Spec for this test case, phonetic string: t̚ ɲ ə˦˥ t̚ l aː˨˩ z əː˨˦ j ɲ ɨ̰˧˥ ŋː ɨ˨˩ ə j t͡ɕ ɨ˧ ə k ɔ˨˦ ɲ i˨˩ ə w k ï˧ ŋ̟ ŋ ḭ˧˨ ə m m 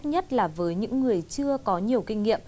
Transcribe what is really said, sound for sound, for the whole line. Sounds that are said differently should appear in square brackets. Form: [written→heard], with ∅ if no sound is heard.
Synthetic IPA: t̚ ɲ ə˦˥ t̚ l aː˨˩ [z→v] əː˨˦ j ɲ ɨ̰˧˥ ŋː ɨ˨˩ ə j t͡ɕ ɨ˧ ə k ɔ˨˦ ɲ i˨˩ ə w k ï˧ ŋ̟ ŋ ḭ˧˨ ə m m

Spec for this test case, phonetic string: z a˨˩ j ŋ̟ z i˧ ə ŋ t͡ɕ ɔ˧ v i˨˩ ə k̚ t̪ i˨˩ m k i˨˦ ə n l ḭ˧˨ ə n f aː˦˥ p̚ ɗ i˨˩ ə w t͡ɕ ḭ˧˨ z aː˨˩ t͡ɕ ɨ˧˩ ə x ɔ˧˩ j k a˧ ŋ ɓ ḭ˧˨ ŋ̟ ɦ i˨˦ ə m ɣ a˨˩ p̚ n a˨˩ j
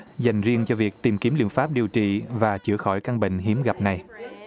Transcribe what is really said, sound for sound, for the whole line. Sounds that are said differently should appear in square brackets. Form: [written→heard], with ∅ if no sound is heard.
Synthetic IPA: z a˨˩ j ŋ̟ z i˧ ə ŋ t͡ɕ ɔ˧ v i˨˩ ə k̚ t̪ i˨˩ m k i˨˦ ə [n→m] l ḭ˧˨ ə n f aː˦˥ p̚ ɗ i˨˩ ə w t͡ɕ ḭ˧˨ [z→v] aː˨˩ t͡ɕ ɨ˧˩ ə x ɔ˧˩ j k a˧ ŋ ɓ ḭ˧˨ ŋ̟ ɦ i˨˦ ə m ɣ a˨˩ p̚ n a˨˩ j

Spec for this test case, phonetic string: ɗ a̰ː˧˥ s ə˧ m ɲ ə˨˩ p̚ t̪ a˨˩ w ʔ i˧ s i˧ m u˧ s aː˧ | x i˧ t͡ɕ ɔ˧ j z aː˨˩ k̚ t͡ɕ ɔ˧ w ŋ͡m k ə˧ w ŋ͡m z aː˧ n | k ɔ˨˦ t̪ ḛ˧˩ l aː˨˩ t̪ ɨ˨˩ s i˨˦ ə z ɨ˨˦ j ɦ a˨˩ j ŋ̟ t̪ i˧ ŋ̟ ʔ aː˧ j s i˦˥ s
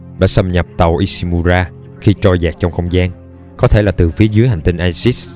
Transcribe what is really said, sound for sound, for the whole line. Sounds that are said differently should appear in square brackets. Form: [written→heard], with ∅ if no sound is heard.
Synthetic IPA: ɗ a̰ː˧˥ s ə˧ m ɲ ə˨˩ p̚ t̪ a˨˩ w ʔ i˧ s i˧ m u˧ [s→z] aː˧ | x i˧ t͡ɕ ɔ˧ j z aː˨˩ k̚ t͡ɕ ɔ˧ w ŋ͡m [k→x] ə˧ w ŋ͡m z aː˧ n | k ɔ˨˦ [t̪→t̪ʰ] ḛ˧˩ l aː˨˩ t̪ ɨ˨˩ [s→f] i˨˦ ə z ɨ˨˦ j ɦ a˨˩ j ŋ̟ t̪ i˧ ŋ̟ ʔ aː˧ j s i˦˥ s

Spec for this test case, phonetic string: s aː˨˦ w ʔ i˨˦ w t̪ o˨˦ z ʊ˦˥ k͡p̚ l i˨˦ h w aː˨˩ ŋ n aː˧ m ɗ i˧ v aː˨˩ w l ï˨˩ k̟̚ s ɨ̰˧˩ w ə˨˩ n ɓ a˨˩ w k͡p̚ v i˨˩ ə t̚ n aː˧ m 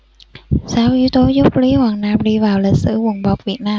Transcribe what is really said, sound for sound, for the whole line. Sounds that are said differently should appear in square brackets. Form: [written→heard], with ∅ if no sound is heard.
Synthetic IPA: s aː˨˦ w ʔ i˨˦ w t̪ o˨˦ z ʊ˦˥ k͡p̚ l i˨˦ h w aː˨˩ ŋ n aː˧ m ɗ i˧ v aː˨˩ w l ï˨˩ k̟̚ s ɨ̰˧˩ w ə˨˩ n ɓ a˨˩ w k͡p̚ v i˨˩ ə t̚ n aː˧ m

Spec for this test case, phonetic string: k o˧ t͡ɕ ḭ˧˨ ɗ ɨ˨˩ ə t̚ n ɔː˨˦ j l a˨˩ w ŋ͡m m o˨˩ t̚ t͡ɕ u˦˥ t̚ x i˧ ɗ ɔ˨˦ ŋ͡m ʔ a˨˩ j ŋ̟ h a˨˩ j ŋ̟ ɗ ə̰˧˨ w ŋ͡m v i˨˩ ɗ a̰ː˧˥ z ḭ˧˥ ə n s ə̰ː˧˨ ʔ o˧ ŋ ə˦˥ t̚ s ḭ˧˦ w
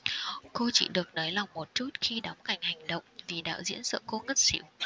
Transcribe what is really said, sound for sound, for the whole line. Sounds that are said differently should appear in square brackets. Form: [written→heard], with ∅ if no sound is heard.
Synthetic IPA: k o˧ t͡ɕ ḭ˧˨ ɗ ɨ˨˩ ə [t̚→k̚] n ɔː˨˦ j l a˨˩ w ŋ͡m m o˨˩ t̚ t͡ɕ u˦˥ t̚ x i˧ ɗ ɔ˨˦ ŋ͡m [ʔ→k] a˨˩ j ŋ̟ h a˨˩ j ŋ̟ ɗ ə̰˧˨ w ŋ͡m v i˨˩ ɗ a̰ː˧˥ z ḭ˧˥ ə n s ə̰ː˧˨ [ʔ→k] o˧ ŋ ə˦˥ t̚ s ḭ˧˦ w

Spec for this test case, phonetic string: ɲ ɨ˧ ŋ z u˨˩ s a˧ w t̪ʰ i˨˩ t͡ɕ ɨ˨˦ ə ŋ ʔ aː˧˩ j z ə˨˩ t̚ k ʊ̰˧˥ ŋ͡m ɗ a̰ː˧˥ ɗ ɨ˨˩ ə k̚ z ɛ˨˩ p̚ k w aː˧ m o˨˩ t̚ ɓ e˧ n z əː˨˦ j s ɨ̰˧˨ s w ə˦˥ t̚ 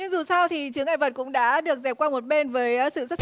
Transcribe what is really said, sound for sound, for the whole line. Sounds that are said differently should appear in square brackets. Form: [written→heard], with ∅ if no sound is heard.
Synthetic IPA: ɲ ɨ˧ ŋ z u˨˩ s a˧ w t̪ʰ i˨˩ t͡ɕ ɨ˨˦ ə ŋ ʔ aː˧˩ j [z→v] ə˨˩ t̚ k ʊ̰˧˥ ŋ͡m ɗ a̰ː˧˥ ɗ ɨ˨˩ ə k̚ z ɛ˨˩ p̚ k w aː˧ m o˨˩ t̚ ɓ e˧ n [z→v] əː˨˦ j s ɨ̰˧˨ s w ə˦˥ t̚

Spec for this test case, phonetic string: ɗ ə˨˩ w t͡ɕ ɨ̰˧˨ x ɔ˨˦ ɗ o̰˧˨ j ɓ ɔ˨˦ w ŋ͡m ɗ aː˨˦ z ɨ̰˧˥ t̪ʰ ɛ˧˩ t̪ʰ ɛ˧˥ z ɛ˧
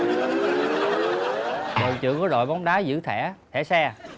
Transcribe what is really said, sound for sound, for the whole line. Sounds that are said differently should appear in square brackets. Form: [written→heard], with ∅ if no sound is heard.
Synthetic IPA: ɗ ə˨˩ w t͡ɕ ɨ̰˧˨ [x→k] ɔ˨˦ ɗ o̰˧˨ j ɓ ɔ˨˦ w ŋ͡m ɗ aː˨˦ z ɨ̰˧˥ t̪ʰ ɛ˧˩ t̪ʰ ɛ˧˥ [z→s] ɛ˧

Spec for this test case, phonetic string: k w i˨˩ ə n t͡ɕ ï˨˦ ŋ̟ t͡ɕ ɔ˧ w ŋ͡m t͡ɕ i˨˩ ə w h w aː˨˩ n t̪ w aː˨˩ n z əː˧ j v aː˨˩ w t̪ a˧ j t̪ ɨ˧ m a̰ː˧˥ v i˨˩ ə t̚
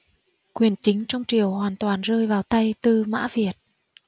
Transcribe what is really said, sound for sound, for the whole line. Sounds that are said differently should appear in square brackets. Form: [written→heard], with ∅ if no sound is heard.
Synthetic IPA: k w i˨˩ ə n t͡ɕ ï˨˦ ŋ̟ t͡ɕ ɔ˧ w ŋ͡m t͡ɕ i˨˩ ə w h w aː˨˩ n t̪ w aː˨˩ n z əː˧ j v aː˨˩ w t̪ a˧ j t̪ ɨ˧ m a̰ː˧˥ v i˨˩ ə t̚

